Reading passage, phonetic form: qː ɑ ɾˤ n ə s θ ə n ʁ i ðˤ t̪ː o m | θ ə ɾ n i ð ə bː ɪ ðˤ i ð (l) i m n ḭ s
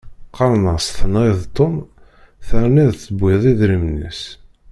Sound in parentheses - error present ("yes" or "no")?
yes